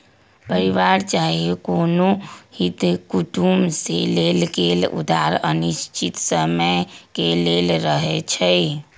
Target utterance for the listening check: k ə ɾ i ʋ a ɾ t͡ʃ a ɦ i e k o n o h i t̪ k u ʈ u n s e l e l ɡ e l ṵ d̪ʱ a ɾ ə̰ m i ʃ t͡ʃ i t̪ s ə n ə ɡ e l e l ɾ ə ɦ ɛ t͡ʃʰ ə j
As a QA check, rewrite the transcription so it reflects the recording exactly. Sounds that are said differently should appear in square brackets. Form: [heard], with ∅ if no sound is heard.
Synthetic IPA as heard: [p] ə ɾ i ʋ a ɾ t͡ʃ a ɦ i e k o n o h i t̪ k u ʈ u [m] s e l e l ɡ e l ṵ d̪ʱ a ɾ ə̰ [n] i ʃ t͡ʃ i t̪ s ə [m] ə [k] e l e l ɾ ə ɦ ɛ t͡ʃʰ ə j